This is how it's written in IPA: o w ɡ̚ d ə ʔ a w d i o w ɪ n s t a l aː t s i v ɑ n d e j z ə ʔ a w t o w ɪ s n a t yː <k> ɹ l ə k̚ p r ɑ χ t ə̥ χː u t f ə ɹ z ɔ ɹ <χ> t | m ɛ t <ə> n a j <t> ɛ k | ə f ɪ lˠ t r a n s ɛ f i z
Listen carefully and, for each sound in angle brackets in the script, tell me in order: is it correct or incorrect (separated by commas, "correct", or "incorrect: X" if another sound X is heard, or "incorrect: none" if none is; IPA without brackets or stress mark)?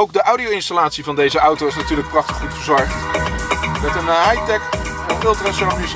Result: incorrect: none, correct, correct, correct